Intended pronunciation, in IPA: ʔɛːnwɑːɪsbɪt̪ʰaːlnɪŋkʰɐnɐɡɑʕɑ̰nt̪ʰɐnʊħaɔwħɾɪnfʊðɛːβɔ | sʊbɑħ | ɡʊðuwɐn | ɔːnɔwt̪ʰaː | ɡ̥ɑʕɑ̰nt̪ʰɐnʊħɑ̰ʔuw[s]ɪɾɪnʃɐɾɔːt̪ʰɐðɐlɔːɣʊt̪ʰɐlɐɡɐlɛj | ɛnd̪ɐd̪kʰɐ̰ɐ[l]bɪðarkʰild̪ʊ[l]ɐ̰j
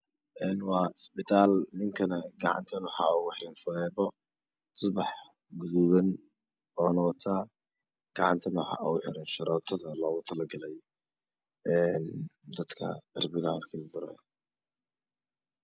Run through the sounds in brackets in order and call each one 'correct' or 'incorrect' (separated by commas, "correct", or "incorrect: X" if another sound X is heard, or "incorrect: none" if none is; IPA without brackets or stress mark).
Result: incorrect: ħ, incorrect: r, incorrect: ɾ